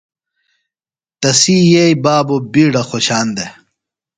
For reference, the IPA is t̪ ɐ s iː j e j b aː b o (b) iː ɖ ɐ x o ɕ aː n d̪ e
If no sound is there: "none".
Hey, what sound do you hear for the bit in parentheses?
b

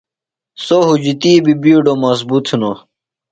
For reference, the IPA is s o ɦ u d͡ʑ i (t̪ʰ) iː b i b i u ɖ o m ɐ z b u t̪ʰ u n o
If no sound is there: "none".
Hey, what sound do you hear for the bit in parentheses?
t̪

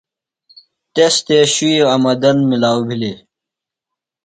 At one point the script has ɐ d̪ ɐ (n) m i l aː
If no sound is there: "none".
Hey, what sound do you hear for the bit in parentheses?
n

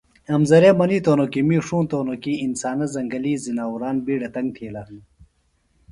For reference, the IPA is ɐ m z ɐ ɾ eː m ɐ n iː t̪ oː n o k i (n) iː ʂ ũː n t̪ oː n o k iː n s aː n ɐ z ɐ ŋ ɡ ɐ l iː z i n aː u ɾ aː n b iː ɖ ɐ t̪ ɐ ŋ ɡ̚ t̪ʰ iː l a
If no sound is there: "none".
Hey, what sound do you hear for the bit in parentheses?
m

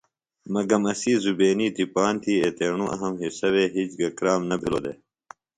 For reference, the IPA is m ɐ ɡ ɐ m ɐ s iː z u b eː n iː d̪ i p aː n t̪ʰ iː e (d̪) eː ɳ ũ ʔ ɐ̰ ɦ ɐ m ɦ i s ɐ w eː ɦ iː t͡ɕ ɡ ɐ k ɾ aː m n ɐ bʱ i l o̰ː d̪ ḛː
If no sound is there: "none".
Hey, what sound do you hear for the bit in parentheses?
t̪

